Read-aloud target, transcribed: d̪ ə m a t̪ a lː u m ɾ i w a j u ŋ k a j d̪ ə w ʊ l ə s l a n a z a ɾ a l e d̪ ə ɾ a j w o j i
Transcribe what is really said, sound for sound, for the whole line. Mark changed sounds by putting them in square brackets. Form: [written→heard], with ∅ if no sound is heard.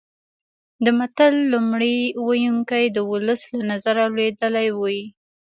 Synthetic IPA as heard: d̪ ə m a t̪ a lː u m [ɾ→ɽ] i w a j u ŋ k a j d̪ ə w ʊ l ə s l a n a z a ɾ a l e d̪ ə [ɾ→l] a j w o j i